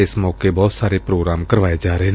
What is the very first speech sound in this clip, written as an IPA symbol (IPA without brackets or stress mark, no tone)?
ɪ